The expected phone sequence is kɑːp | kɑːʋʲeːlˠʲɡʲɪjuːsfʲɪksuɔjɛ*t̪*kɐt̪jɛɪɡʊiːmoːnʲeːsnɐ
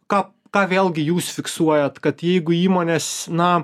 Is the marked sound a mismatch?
no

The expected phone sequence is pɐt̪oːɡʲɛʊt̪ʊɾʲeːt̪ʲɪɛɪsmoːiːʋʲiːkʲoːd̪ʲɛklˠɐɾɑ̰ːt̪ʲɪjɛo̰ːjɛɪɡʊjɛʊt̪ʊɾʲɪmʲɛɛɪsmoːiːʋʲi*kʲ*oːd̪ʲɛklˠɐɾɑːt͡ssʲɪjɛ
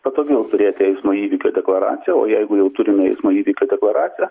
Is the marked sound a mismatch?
no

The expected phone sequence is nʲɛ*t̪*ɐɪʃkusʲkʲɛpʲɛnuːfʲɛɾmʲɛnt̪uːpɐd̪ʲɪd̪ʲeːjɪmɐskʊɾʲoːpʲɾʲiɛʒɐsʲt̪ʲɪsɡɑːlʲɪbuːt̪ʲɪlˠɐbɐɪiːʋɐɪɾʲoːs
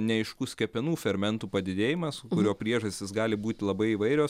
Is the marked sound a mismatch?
yes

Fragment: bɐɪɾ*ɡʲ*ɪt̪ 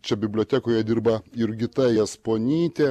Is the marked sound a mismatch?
no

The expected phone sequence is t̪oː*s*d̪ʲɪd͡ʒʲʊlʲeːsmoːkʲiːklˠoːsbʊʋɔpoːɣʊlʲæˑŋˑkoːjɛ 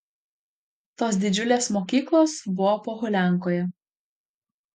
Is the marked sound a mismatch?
no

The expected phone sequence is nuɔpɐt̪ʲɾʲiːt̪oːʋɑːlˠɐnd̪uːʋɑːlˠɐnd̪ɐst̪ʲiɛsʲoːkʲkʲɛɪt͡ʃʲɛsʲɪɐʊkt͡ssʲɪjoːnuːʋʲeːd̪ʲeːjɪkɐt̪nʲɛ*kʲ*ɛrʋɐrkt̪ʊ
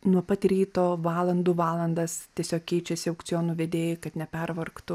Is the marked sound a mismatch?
yes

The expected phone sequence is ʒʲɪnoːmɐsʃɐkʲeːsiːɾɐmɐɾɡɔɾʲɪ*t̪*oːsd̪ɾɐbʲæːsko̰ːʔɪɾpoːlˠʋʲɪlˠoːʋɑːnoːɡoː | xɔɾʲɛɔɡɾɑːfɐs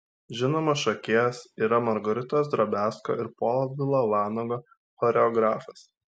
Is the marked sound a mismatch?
no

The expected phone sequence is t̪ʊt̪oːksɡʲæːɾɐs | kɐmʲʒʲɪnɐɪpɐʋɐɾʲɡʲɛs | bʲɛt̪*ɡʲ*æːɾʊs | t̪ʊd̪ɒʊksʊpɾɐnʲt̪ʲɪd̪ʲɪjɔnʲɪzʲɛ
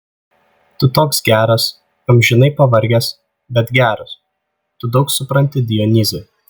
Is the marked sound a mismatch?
no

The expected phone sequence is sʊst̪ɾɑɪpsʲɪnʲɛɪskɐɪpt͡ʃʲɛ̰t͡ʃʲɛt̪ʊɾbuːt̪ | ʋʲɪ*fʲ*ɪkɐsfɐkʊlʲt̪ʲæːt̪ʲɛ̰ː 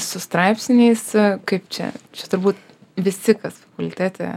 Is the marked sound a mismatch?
yes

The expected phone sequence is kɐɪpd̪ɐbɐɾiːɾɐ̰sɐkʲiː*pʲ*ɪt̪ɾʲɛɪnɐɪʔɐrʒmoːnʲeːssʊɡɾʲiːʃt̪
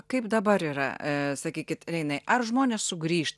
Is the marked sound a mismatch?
yes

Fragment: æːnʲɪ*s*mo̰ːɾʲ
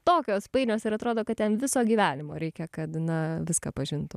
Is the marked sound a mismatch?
yes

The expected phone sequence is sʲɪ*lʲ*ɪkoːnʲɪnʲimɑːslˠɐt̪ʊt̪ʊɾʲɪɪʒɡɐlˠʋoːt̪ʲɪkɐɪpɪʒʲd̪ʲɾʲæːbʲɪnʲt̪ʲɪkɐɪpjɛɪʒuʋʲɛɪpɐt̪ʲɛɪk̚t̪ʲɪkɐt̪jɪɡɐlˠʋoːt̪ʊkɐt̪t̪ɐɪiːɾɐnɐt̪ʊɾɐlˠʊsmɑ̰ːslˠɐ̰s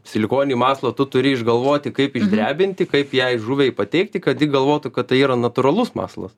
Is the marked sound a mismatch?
no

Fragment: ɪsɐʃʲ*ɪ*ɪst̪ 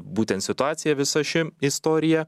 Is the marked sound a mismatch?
no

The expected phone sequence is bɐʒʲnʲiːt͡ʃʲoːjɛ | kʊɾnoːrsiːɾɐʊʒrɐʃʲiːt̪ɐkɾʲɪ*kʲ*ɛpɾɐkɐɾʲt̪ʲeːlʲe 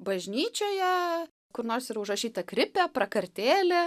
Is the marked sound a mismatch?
yes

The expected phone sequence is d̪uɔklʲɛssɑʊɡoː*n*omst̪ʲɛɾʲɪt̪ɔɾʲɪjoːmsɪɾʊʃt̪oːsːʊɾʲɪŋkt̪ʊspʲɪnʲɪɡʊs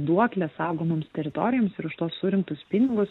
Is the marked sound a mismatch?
yes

